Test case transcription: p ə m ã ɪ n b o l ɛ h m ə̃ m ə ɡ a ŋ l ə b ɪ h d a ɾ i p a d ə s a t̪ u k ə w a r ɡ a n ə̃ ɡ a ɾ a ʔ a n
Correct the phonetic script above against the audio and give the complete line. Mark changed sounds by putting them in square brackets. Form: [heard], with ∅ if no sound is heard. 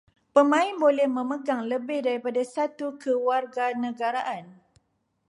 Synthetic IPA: p ə m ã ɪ n b o l ɛ h m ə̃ m ə ɡ a ŋ l ə b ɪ h d a ɾ i p a d [a] s a t̪ u k ə w a r ɡ a n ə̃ ɡ a ɾ a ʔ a n